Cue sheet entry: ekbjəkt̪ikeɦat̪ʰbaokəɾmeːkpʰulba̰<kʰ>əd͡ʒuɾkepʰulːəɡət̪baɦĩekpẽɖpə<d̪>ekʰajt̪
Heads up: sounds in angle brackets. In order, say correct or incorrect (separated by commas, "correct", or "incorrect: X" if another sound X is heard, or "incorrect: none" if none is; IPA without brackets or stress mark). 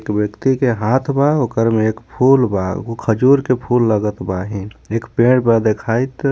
correct, correct